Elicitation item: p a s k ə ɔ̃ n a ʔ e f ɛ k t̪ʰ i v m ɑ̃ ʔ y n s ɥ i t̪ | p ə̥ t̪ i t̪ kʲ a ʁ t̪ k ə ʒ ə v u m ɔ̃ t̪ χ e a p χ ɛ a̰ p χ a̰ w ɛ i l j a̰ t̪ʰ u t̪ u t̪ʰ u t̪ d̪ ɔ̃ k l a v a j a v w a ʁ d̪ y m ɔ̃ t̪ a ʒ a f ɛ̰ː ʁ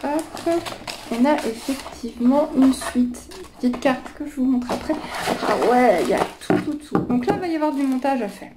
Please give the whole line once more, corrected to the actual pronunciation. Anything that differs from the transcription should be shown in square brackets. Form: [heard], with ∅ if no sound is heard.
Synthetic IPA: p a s k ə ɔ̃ n a ʔ e f ɛ k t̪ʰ i v m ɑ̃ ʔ y n s ɥ i t̪ | p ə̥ t̪ i t̪ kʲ a ʁ t̪ k ə ʒ ə v u m ɔ̃ t̪ χ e a p χ ɛ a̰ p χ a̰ w ɛ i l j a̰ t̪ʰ u t̪ u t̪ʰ u [∅] d̪ ɔ̃ k l a v a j a v w a ʁ d̪ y m ɔ̃ t̪ a ʒ a f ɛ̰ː ʁ